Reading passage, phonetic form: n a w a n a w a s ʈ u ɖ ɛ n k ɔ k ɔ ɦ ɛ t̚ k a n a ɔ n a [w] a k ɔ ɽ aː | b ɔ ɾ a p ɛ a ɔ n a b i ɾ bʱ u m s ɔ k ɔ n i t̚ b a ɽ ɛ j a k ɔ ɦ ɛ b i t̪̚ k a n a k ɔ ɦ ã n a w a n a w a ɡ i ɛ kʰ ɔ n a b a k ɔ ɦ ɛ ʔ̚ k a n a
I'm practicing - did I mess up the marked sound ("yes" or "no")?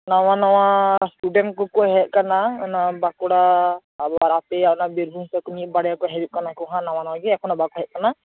yes